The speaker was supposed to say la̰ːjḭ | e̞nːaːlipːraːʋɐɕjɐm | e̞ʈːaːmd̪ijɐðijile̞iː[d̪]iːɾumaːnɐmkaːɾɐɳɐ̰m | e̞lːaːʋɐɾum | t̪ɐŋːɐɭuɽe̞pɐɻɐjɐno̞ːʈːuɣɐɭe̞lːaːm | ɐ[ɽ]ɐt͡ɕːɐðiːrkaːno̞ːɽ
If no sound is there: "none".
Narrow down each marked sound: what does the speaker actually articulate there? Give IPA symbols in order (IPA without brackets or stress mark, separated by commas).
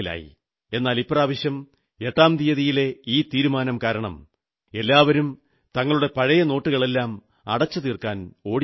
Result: t̪, ɽ